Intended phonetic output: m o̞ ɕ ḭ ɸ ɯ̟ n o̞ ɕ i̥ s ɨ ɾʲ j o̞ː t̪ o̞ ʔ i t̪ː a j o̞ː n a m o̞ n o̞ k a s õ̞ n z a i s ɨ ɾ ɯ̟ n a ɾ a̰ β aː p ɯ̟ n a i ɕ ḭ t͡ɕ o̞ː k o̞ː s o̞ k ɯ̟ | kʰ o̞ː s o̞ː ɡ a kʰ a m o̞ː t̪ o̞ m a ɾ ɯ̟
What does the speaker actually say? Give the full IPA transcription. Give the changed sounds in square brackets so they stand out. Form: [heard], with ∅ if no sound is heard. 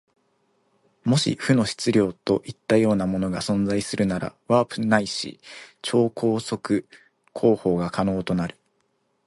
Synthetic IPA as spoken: m o̞ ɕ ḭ ɸ ɯ̟ n o̞ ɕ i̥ [t͡s] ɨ ɾʲ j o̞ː t̪ o̞ ʔ i t̪ː a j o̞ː n a m o̞ n o̞ [ɡ] a s õ̞ n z a i s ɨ ɾ ɯ̟ n a ɾ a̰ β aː p ɯ̟ n a i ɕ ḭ t͡ɕ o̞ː k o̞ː s o̞ k ɯ̟ | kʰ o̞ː [h] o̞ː ɡ a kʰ a [n] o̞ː t̪ o̞ [n] a ɾ ɯ̟